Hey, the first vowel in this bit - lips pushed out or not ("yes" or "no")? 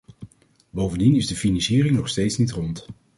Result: yes